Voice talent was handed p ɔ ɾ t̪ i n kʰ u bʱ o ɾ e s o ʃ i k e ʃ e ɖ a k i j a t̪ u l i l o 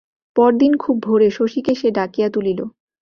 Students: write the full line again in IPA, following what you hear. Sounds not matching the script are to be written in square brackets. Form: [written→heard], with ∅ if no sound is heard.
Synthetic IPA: p ɔ ɾ [t̪→d̪] i n kʰ u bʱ o ɾ e [s→ʃ] o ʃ i k e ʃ e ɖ a k i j a t̪ u l i l o